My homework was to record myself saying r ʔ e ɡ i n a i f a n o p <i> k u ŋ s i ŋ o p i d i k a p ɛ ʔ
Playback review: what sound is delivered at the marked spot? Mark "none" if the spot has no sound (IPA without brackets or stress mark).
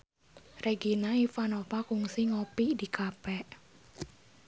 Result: a